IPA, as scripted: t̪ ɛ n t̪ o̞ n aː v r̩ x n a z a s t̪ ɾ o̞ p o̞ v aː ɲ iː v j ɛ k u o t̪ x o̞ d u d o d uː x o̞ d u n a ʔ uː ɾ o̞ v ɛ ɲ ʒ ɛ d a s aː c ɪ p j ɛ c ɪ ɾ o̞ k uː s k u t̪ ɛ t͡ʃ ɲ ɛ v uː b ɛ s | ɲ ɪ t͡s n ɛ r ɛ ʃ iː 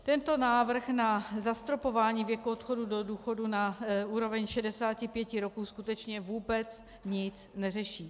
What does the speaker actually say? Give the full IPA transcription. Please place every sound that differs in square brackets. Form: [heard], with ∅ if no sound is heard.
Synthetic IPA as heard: t̪ ɛ n t̪ o̞ n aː v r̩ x n a z a s t̪ ɾ o̞ p o̞ v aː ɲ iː v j ɛ k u o t̪ x o̞ d u d o d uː x o̞ d u n a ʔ uː ɾ o̞ v ɛ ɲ [ʃ] ɛ d [ɛ] s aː c ɪ p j ɛ c ɪ ɾ o̞ k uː s k u t̪ ɛ t͡ʃ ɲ ɛ v uː b ɛ [t͡s] | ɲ ɪ t͡s n ɛ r ɛ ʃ iː